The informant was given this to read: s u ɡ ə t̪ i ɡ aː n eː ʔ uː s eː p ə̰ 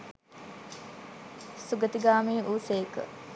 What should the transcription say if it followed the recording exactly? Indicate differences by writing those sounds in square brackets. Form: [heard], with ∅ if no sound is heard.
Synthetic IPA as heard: s u ɡ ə t̪ i ɡ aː [m] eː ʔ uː s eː [k] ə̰

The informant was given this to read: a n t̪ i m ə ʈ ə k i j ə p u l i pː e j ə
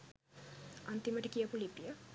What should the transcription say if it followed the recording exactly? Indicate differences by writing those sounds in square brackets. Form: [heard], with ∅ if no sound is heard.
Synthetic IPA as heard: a n t̪ i m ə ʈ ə k i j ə p u l i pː [i] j ə

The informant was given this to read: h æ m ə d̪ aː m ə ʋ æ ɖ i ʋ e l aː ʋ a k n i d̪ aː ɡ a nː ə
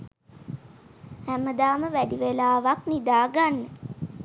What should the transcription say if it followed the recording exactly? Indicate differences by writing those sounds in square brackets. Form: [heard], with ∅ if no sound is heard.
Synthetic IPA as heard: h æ m ə d̪ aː m ə ʋ æ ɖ i ʋ e l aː ʋ a k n i d̪ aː ɡ a nː ə

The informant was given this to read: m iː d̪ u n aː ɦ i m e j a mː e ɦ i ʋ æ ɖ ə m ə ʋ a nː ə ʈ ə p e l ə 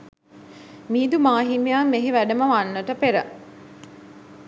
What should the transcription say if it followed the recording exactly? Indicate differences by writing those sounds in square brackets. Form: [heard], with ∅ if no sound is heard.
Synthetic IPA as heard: m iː d̪ u [m] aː ɦ i m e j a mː e ɦ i ʋ æ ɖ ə m ə ʋ a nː ə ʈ ə p e [ɾ] ə

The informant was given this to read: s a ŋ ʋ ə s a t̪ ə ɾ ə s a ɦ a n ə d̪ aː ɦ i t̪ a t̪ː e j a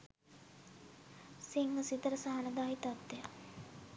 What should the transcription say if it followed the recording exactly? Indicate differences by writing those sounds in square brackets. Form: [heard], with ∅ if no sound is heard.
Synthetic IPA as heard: s [i] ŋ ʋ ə s [i] t̪ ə ɾ ə s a ɦ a n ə d̪ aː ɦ i t̪ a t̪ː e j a

